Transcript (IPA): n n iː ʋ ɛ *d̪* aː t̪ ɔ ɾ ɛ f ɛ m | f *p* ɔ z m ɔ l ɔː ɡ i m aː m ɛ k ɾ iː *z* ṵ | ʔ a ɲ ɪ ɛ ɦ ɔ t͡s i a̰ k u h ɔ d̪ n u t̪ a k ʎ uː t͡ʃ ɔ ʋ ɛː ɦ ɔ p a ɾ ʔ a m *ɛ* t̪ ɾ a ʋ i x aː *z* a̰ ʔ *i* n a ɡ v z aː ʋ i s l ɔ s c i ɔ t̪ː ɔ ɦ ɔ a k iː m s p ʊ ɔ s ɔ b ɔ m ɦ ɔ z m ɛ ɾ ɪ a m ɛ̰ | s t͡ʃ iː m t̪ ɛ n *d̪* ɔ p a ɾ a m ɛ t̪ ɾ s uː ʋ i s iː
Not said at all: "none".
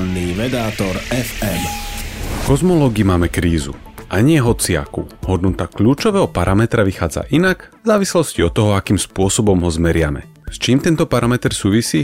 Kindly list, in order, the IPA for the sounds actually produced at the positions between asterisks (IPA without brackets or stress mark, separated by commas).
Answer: d̪, k, z, ɛ, d͡z, i, t̪